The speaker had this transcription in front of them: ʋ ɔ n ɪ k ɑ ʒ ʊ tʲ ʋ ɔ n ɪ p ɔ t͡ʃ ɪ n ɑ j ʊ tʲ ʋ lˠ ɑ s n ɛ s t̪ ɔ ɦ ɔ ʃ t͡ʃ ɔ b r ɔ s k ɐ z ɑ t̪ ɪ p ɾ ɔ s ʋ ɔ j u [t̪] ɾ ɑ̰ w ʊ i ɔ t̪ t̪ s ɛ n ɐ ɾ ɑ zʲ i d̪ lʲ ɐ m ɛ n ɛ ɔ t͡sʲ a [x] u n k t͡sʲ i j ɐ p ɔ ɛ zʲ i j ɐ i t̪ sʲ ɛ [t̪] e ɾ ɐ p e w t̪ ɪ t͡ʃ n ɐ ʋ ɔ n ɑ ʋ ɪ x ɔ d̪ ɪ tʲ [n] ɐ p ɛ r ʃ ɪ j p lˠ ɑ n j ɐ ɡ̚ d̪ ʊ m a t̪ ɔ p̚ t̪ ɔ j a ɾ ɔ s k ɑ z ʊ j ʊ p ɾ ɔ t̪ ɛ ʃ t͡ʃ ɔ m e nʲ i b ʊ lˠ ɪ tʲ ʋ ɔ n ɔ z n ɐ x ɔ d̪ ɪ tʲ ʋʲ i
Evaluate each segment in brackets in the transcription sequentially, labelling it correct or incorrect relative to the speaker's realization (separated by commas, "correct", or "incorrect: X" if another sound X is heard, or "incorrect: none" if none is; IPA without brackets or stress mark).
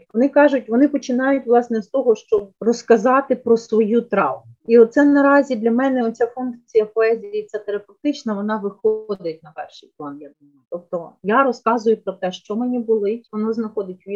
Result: correct, incorrect: f, correct, correct